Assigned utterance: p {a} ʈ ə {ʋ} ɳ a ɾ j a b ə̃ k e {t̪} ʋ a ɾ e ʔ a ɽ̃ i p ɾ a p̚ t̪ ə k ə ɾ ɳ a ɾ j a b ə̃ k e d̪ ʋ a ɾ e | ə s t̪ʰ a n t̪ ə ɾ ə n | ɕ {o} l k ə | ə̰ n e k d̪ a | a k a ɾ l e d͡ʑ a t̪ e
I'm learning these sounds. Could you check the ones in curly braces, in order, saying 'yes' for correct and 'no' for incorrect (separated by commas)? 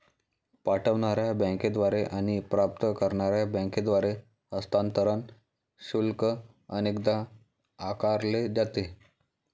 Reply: yes, yes, no, no